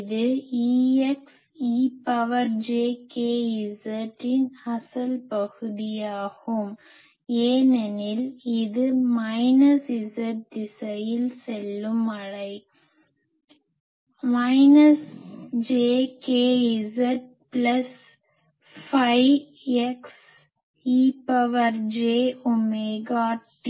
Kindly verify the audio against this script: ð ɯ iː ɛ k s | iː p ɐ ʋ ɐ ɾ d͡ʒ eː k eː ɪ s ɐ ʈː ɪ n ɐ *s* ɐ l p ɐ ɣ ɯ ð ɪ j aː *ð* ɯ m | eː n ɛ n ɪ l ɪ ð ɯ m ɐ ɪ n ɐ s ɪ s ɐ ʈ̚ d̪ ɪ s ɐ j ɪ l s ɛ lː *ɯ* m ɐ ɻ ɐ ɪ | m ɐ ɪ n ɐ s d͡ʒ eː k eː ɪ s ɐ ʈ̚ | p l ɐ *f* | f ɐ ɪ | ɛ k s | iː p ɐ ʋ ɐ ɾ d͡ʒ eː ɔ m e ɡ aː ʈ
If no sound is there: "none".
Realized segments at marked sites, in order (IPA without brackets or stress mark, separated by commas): s, ɣ, ɯ, s